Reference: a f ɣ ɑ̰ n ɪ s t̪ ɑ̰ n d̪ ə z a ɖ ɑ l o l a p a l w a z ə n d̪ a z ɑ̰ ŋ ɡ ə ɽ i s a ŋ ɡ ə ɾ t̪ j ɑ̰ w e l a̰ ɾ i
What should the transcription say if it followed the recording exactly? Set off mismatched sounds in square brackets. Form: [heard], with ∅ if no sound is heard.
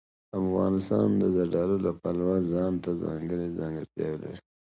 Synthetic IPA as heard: a f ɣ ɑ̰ n ɪ s t̪ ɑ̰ n d̪ ə z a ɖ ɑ l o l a p a l w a z [ɑ] n [t̪] a z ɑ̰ ŋ ɡ ə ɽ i [z] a ŋ ɡ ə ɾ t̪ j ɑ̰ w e l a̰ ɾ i